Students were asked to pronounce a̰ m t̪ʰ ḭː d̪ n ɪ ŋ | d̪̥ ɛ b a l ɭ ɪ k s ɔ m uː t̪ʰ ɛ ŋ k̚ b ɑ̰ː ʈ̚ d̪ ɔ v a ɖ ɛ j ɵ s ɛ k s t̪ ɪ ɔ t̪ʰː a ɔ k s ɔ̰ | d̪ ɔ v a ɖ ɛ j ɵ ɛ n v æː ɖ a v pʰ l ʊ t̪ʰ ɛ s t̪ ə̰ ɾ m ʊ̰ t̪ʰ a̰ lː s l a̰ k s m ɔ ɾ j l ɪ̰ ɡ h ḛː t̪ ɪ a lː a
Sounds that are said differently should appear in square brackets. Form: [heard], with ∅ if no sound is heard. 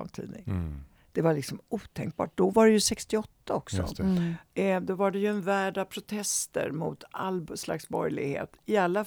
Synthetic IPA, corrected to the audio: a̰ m t̪ʰ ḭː d̪ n ɪ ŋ | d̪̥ ɛ [v] a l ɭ ɪ k s ɔ m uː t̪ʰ ɛ ŋ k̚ b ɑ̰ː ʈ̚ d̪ ɔ v a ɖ ɛ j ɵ s ɛ k s t̪ ɪ ɔ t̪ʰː a ɔ k s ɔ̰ | d̪ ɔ v a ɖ ɛ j ɵ ɛ n v æː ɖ a v pʰ [ɾ] ʊ t̪ʰ ɛ s t̪ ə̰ ɾ m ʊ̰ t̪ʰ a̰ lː s l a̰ k s [b] ɔ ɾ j l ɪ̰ ɡ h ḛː t̪ ɪ a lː a